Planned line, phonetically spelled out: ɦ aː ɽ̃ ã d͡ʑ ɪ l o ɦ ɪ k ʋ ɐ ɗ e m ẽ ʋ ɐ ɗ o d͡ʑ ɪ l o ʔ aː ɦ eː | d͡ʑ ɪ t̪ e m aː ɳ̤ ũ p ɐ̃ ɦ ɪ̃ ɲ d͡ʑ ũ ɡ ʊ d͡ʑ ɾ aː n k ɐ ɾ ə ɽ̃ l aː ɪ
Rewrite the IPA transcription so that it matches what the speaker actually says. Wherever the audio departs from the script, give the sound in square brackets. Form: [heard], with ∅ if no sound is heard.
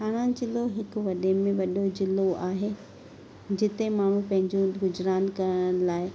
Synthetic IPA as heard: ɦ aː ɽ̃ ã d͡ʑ ɪ l o ɦ ɪ k ʋ ɐ ɗ e m ẽ ʋ ɐ ɗ o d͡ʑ ɪ l o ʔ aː ɦ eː | d͡ʑ ɪ t̪ e m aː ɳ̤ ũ p ɐ̃ ɦ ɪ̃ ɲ d͡ʑ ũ ɡ ʊ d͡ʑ ɾ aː n k ɐ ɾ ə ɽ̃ l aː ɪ